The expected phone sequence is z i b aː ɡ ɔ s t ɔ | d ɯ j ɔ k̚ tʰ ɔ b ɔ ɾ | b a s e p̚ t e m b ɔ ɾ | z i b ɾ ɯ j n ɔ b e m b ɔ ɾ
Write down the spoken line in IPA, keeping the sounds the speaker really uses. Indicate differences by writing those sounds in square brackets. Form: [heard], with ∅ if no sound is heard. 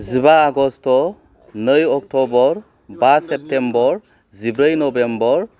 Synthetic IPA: z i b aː ɡ ɔ s t ɔ | [n] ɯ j ɔ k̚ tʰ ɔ b ɔ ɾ | b a s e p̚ t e m b ɔ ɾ | z i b ɾ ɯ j n ɔ b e m b ɔ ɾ